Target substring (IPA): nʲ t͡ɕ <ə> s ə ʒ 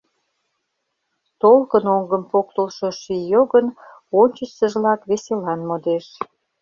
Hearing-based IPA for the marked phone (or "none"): ə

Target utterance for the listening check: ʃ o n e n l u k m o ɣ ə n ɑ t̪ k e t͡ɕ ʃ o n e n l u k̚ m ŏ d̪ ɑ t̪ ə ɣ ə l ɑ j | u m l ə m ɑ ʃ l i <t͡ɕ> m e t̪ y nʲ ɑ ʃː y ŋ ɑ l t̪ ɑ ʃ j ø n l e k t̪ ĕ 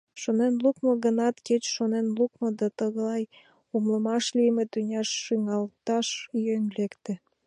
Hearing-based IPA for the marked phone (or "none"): none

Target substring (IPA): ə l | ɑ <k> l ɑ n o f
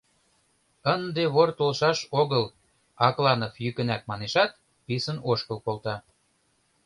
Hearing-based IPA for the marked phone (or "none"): k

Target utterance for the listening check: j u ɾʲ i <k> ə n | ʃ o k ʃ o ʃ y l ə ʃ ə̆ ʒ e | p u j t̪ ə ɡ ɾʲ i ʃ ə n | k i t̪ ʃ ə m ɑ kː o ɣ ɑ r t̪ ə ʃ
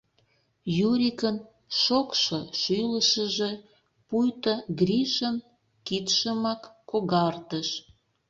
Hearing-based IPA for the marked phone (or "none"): k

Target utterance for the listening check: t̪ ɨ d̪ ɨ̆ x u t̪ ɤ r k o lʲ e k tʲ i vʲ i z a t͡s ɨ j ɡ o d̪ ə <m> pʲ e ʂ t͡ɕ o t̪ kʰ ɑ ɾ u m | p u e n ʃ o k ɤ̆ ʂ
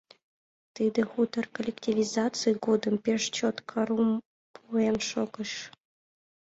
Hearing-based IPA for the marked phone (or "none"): m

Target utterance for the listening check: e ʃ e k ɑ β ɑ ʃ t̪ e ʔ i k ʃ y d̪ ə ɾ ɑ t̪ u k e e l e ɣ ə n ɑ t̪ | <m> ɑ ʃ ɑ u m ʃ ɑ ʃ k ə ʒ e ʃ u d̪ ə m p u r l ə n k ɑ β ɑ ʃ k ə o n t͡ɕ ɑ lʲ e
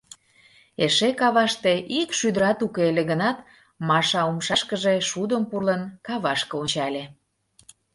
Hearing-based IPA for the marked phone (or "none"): m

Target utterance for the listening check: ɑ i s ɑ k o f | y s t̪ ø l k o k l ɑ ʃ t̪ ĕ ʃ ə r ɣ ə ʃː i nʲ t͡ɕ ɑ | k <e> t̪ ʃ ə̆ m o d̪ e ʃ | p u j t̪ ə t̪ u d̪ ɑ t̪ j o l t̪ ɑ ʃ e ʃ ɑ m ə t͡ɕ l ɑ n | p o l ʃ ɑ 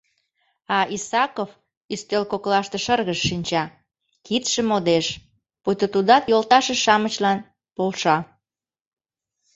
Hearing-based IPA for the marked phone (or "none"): i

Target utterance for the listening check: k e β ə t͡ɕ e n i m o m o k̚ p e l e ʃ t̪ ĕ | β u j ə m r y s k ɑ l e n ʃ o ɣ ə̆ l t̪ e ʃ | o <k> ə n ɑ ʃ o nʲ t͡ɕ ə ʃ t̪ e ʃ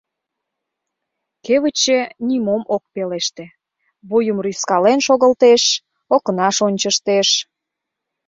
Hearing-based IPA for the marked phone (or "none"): k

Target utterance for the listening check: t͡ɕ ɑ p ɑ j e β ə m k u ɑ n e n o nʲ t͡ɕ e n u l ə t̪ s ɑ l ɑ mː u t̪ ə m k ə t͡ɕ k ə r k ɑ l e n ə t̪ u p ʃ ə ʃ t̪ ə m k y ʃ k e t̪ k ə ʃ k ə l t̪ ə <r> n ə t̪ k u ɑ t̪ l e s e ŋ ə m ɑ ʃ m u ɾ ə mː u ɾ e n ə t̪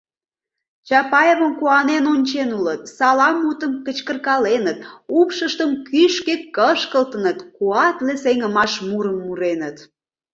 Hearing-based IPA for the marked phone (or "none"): none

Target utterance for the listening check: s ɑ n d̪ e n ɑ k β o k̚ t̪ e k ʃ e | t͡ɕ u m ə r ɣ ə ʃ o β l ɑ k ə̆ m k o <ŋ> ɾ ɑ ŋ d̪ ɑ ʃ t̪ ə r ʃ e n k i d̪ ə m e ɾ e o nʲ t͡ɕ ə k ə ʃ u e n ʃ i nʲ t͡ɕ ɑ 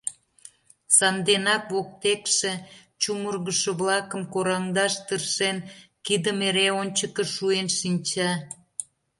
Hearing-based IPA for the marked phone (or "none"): none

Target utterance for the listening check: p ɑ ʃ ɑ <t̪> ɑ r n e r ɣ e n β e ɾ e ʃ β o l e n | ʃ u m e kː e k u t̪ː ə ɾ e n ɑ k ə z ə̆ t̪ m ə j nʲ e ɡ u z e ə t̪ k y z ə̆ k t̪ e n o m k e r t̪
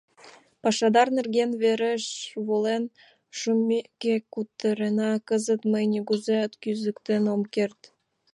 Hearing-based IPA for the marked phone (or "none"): d̪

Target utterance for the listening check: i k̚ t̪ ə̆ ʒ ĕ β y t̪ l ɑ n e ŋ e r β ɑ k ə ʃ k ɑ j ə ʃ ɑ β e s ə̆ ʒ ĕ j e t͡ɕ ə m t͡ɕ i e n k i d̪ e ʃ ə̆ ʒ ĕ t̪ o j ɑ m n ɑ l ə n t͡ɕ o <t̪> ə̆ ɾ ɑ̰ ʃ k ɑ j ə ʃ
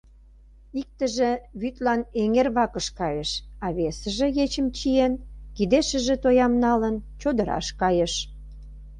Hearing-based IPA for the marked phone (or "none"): d̪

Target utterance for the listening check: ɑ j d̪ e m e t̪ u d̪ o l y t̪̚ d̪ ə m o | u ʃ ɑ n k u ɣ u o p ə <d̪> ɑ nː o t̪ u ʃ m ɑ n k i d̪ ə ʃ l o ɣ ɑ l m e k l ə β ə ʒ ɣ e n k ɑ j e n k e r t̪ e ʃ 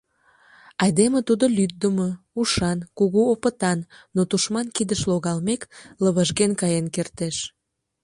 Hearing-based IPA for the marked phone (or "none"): t̪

